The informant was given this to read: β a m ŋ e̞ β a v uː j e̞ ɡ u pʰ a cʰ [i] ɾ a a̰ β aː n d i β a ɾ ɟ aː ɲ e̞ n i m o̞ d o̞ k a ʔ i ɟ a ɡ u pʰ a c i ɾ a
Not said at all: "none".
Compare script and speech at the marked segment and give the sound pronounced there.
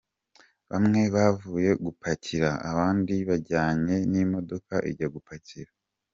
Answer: i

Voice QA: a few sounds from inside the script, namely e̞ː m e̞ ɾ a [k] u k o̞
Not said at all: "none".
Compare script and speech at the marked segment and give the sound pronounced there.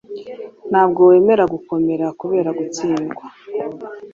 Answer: ɡ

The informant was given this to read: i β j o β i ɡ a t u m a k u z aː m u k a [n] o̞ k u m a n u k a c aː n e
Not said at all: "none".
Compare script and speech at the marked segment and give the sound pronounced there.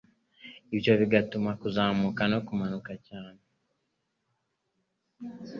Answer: n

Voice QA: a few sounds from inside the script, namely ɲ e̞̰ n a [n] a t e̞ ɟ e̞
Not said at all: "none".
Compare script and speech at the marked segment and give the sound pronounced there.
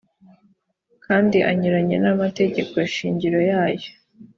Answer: m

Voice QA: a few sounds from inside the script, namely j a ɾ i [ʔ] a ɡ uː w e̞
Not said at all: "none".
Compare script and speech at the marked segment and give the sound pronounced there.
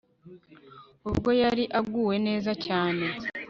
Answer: ʔ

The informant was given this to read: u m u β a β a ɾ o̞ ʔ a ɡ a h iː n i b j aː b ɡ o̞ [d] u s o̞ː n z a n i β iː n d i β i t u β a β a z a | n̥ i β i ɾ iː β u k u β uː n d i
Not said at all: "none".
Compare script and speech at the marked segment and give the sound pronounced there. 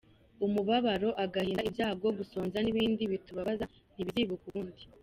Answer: ɡ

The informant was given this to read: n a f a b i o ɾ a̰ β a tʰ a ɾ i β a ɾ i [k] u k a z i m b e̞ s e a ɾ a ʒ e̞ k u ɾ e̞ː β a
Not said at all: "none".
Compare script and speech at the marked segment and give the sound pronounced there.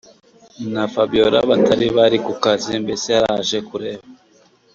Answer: k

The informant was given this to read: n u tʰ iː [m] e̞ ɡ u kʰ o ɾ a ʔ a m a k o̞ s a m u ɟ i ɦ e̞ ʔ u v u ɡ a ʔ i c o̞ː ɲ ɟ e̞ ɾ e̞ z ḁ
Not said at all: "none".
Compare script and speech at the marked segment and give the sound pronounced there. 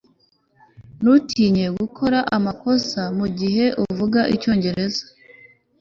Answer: ɲ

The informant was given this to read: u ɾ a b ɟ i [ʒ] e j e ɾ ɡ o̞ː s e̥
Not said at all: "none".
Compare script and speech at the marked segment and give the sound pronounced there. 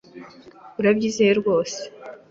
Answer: z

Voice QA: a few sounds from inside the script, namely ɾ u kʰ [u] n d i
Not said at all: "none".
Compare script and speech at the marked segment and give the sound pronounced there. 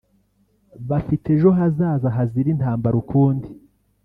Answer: uː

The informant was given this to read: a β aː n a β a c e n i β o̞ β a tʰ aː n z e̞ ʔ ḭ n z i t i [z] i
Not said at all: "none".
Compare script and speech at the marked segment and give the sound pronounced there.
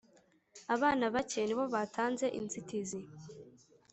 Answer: z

